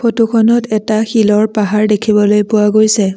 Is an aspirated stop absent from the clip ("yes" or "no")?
no